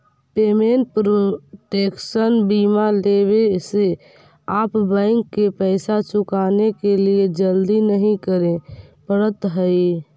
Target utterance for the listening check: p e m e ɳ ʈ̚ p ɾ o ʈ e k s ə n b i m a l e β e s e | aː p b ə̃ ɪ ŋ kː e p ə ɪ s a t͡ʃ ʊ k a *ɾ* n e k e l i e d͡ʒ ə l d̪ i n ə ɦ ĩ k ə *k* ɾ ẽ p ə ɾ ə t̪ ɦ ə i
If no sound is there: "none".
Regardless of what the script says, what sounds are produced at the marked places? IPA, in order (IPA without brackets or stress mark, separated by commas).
none, none